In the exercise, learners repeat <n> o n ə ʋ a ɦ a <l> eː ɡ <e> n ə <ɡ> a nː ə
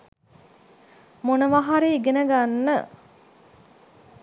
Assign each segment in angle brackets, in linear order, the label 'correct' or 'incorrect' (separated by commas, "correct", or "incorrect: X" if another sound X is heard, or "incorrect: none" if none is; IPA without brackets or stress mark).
incorrect: m, incorrect: ɾ, correct, correct